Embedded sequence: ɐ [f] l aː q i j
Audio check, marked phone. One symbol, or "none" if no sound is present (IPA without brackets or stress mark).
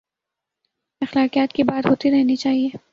x